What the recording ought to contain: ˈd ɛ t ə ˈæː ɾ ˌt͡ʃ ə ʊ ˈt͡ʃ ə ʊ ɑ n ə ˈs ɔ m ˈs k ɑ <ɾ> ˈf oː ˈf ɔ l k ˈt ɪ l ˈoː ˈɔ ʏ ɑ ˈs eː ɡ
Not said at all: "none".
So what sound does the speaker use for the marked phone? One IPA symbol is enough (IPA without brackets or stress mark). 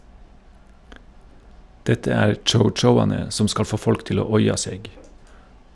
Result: l